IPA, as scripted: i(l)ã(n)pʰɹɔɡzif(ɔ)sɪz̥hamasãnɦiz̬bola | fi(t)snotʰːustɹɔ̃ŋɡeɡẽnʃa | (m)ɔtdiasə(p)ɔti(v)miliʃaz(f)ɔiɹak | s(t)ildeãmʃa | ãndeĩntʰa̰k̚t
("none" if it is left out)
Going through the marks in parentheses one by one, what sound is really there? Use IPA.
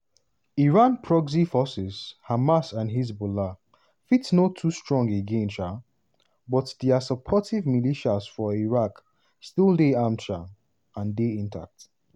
ɹ, n, ɔ, t, b, pʰ, v, f, t

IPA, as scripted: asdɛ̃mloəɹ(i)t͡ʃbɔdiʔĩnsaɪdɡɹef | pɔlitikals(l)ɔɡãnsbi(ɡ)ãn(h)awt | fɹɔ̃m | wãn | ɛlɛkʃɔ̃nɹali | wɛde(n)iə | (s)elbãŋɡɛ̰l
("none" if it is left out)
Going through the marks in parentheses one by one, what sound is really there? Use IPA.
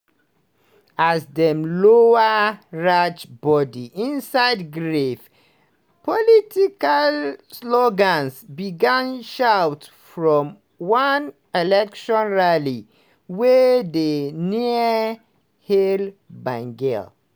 a, l, ɡ, ʃ, n, h

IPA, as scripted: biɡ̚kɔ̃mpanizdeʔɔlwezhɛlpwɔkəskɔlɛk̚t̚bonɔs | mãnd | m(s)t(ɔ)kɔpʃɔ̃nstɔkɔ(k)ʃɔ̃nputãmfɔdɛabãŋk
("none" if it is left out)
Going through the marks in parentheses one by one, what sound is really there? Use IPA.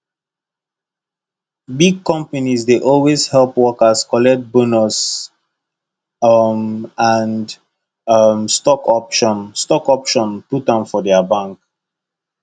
s, ɔ, p

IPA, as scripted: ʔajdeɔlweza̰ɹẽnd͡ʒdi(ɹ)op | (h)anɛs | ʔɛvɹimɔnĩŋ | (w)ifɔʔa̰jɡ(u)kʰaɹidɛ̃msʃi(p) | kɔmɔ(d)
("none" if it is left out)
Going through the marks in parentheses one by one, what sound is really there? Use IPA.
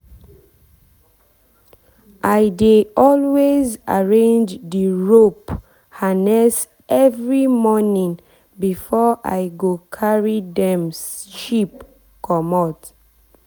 ɹ, h, b, o, p, t

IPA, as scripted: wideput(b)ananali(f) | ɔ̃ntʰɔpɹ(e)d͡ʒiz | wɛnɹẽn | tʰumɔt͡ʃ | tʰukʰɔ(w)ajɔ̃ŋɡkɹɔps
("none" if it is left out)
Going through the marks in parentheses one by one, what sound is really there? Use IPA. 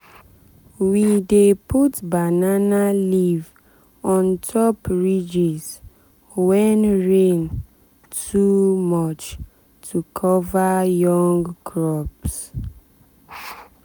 b, v, i, v

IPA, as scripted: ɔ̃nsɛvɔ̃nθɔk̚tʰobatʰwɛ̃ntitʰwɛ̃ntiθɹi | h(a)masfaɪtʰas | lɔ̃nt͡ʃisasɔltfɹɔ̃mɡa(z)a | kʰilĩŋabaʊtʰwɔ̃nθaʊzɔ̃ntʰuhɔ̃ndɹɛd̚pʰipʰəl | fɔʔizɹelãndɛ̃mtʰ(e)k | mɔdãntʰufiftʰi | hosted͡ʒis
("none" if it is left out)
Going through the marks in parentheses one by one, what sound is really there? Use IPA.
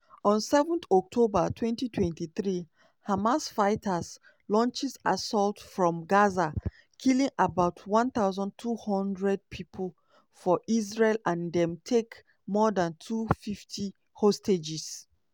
a, z, e

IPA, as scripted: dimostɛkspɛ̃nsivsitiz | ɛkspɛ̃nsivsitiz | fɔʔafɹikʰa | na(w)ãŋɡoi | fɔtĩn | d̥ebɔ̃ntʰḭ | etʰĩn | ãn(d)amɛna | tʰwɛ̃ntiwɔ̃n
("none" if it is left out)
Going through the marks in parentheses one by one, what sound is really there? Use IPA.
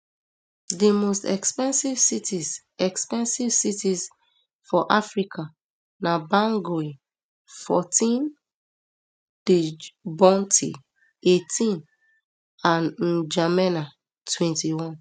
b, d͡ʒ

